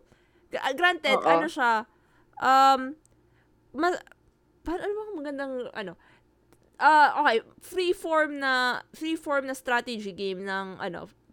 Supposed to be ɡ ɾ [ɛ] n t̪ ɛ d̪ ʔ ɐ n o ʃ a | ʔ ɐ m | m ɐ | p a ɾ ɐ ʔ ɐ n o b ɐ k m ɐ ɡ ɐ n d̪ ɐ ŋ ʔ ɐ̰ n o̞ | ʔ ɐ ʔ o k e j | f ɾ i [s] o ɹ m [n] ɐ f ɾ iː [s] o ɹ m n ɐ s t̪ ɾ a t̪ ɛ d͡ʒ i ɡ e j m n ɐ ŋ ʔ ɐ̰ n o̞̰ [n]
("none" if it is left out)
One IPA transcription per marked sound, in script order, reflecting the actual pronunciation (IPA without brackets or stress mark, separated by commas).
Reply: a, f, n, f, none